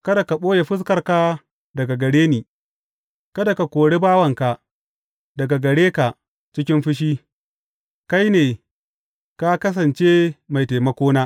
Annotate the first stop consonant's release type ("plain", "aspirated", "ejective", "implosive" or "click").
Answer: plain